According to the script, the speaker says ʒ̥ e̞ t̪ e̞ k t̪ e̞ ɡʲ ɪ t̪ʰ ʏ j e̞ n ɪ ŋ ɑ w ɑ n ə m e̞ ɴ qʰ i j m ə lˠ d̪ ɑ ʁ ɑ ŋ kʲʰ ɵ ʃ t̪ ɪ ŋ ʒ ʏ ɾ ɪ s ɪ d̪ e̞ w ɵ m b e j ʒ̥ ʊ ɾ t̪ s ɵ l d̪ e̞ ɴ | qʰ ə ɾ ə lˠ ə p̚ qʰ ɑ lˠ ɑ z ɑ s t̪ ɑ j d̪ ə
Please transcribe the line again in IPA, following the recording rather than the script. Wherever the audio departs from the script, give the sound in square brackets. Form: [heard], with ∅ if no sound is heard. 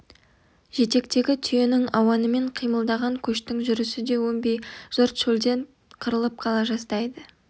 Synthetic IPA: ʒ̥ e̞ t̪ e̞ k t̪ e̞ ɡʲ ɪ t̪ʰ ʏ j e̞ n ɪ ŋ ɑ w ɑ n ə m e̞ ɴ qʰ i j m ə lˠ d̪ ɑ ʁ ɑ ŋ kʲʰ ɵ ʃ t̪ ɪ ŋ ʒ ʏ ɾ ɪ s ɪ d̪ e̞ w ɵ m b e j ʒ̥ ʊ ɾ t̪ [ʃ] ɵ l d̪ e̞ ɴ | qʰ ə ɾ ə lˠ ə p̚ qʰ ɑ lˠ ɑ [ʒ] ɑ s t̪ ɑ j d̪ ə